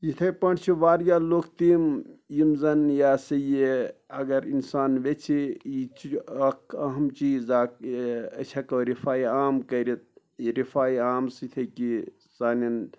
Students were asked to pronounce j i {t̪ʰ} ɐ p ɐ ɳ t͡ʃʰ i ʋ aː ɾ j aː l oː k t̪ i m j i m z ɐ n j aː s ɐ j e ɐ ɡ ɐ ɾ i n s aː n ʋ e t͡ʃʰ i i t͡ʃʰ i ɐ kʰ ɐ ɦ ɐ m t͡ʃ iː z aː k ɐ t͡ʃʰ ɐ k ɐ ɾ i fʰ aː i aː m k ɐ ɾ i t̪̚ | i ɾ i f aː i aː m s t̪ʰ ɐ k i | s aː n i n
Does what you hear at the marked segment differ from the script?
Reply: no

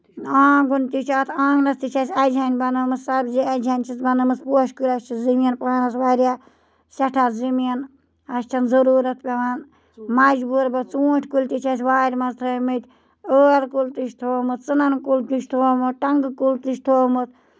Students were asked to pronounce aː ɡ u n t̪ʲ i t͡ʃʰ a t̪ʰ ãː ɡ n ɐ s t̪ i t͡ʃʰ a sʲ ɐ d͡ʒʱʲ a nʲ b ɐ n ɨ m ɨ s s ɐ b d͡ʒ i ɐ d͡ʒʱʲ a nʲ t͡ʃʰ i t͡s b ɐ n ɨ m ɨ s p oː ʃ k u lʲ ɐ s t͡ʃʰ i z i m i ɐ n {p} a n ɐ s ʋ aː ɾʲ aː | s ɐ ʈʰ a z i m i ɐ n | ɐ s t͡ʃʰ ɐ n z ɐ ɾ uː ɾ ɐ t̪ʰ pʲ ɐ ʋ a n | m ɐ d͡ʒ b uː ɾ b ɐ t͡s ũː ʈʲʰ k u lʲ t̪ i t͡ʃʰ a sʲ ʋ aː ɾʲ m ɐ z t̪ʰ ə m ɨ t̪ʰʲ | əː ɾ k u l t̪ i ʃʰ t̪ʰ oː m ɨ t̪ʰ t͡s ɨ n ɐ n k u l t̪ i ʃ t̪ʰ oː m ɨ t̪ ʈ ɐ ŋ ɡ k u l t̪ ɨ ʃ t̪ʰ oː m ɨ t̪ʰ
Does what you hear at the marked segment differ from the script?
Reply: no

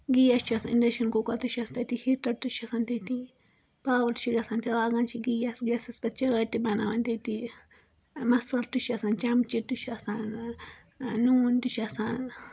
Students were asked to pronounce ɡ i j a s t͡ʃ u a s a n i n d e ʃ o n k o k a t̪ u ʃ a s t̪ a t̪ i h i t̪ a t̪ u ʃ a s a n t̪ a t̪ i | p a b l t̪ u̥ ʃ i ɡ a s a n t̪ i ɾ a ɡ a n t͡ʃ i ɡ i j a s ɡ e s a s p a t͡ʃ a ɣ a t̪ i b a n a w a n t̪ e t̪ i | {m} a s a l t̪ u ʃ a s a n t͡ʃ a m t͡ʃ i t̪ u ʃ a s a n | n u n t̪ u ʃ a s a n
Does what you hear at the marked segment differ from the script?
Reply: no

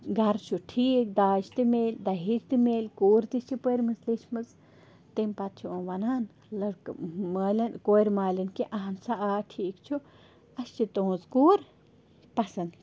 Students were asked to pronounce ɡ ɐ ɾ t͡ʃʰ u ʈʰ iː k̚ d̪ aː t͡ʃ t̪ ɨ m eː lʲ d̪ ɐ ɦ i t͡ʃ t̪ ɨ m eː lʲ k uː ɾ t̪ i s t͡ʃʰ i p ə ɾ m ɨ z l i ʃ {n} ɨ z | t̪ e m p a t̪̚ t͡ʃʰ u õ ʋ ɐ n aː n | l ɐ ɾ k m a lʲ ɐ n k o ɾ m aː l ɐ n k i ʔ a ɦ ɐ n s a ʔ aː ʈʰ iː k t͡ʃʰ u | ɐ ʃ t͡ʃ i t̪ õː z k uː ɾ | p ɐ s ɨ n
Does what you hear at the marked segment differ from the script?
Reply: yes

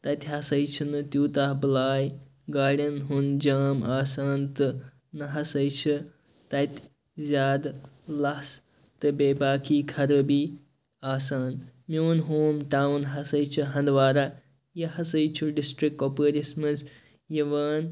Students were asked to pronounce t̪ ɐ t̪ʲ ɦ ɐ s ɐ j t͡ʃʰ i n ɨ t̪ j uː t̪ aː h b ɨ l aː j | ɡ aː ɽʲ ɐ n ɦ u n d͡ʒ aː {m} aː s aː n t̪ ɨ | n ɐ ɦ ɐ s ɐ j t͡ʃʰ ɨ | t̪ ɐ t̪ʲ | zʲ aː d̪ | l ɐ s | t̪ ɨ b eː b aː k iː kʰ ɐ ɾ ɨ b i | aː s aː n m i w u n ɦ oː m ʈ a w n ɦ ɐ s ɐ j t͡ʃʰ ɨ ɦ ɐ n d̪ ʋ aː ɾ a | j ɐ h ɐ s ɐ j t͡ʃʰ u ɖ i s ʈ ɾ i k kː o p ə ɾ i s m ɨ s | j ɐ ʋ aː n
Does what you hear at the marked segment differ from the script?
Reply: no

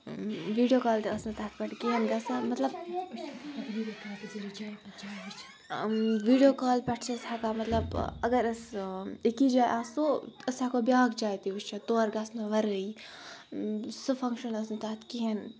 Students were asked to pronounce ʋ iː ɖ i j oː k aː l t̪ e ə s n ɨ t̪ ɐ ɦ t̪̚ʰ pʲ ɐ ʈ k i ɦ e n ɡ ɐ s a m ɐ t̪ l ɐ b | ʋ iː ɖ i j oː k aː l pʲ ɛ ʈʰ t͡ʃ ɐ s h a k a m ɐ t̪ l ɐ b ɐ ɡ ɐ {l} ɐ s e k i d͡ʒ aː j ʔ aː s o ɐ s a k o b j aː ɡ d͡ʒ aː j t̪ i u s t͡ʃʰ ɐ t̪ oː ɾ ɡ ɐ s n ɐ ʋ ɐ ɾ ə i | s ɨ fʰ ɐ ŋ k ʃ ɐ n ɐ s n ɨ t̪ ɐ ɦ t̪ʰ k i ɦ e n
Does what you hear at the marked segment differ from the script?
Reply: yes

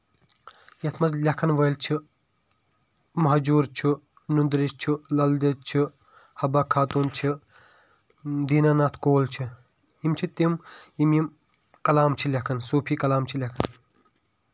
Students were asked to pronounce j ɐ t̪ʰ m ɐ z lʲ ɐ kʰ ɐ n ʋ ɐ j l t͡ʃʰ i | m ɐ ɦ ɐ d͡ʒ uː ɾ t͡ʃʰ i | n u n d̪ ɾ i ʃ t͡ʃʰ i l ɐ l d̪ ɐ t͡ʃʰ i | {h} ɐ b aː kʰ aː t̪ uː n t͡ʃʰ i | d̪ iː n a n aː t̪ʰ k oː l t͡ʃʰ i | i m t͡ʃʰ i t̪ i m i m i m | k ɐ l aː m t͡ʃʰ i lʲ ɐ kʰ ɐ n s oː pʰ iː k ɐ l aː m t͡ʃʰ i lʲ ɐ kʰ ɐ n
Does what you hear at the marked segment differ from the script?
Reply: no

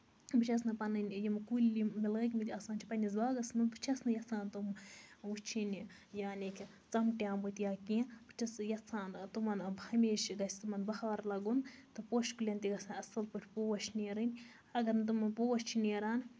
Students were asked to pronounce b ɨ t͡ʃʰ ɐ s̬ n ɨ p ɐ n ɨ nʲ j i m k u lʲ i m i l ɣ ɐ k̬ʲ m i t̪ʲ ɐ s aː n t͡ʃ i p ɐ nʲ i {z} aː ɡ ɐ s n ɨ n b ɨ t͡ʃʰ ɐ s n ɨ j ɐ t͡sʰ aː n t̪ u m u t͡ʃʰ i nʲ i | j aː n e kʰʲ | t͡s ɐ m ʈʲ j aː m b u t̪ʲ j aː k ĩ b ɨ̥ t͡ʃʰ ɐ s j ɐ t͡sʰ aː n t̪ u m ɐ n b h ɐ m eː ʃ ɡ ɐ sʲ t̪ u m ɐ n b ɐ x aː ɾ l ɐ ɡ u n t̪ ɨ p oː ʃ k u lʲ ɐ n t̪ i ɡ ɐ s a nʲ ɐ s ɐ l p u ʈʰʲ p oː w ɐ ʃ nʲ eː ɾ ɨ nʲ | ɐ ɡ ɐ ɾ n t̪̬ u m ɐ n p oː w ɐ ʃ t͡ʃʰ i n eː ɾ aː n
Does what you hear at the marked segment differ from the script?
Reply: no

